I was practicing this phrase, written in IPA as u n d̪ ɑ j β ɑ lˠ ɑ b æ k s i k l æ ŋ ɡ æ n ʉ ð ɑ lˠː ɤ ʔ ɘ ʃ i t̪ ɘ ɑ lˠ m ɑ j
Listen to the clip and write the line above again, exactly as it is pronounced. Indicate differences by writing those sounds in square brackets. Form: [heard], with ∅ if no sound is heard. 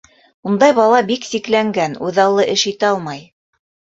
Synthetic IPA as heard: u n d̪ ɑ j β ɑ lˠ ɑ b [i] k s i k l æ ŋ ɡ æ n ʉ ð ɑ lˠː ɤ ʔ ɘ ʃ i t̪ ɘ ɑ lˠ m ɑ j